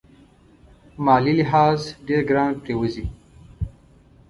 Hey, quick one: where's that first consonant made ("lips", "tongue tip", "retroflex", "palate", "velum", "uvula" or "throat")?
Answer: lips